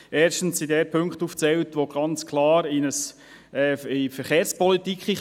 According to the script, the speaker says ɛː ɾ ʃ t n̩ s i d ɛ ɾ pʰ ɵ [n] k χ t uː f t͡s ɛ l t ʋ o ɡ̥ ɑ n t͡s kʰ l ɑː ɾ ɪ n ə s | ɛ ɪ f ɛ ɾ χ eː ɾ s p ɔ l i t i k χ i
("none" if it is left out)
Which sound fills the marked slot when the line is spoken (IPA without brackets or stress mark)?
ŋ